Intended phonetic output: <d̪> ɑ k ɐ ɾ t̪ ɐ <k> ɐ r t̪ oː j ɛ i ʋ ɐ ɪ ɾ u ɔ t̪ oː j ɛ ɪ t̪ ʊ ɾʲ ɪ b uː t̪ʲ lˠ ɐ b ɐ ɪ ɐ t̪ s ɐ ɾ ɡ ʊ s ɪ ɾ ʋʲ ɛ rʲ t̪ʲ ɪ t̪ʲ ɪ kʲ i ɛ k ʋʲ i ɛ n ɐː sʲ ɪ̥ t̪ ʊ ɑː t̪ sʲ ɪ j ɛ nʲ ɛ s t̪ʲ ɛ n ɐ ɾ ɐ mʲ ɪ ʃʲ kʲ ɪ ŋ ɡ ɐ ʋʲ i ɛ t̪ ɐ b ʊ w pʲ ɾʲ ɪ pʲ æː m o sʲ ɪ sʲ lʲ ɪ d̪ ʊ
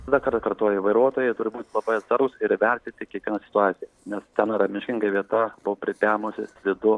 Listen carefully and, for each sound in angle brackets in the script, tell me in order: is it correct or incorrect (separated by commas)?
correct, correct